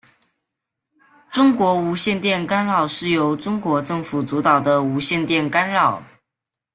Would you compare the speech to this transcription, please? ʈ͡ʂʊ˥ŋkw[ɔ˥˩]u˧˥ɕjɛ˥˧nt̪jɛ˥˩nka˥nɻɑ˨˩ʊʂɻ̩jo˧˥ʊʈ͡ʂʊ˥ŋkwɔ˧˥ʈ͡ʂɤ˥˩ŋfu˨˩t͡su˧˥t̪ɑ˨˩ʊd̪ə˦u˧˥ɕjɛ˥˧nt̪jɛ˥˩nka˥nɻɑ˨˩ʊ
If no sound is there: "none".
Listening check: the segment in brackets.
ɔ˧˥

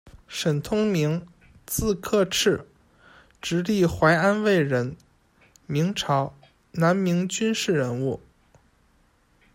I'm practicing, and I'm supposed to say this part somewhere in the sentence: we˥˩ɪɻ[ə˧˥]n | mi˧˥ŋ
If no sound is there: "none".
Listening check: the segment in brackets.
ə˧˥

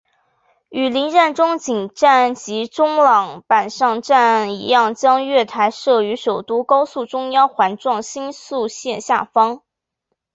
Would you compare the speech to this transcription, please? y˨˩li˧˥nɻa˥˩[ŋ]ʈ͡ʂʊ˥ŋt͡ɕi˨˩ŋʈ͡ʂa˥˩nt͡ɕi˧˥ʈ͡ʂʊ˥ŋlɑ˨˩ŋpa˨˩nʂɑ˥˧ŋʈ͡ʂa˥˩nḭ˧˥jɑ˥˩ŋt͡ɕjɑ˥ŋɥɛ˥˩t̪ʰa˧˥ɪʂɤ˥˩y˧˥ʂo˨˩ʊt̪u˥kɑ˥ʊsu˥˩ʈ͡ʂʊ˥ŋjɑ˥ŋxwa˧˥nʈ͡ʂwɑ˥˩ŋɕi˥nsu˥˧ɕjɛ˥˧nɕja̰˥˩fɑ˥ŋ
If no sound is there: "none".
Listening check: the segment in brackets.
n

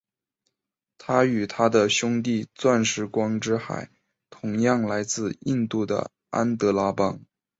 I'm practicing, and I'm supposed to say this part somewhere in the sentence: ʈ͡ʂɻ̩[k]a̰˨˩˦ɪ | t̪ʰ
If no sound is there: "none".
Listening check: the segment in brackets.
x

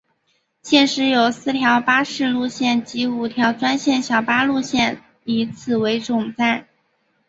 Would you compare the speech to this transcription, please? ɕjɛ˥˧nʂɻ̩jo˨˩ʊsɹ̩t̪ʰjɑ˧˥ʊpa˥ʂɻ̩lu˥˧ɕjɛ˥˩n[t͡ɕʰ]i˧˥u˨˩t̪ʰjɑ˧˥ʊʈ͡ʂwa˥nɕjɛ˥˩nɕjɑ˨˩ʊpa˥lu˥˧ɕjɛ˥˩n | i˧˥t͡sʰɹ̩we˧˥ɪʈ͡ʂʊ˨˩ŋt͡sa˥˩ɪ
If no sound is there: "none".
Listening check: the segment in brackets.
t͡ɕ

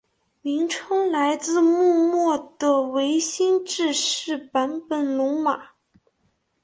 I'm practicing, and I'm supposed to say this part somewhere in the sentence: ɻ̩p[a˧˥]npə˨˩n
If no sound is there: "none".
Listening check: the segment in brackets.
a˧˥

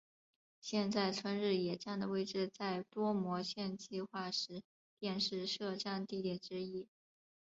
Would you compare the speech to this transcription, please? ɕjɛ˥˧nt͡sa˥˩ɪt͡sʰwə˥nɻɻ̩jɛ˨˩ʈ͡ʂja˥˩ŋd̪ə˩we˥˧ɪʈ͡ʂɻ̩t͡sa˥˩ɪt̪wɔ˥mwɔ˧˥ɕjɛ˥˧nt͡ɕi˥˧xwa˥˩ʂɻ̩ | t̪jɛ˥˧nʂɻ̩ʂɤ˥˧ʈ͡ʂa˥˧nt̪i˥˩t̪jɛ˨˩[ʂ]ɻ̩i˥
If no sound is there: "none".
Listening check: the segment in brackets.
ʈ͡ʂ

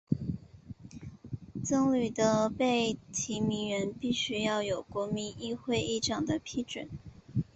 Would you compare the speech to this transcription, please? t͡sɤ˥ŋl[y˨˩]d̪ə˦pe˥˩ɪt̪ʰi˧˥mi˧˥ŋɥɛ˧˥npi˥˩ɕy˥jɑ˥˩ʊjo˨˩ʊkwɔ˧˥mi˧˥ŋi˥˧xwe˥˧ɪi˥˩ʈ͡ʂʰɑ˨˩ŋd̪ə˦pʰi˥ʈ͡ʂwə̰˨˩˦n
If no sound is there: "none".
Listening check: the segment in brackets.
y˨˩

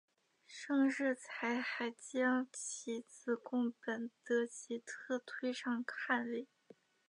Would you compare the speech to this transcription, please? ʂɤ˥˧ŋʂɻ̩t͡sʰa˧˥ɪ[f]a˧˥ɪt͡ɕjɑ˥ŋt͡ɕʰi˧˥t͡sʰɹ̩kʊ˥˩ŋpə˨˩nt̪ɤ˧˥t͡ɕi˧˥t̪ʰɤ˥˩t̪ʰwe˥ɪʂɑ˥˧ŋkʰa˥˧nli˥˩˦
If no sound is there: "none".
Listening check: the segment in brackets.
x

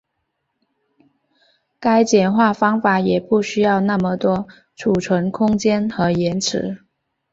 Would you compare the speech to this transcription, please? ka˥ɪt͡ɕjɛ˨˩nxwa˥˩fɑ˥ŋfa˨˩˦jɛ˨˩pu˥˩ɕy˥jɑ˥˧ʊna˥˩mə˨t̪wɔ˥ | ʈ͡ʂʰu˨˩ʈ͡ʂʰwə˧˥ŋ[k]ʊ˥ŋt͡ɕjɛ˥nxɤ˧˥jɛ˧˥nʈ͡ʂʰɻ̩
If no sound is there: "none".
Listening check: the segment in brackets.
kʰ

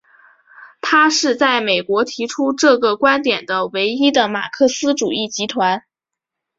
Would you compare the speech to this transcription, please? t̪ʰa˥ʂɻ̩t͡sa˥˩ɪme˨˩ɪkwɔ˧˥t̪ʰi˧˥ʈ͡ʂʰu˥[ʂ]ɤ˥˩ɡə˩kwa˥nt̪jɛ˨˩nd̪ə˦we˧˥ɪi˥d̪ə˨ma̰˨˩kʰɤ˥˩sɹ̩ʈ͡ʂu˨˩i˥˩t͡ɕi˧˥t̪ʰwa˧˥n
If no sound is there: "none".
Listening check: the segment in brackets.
ʈ͡ʂ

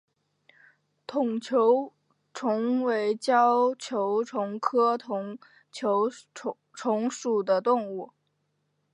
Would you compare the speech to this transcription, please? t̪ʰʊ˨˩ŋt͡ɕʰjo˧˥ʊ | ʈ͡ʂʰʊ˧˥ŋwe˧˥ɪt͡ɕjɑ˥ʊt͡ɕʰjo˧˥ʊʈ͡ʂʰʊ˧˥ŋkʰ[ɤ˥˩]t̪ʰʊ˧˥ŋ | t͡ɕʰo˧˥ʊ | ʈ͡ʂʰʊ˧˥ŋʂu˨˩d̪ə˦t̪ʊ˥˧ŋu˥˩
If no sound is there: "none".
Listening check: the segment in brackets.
ɤ˥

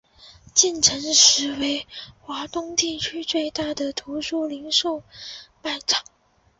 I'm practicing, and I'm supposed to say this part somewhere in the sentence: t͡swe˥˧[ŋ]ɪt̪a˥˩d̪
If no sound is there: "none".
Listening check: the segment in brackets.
none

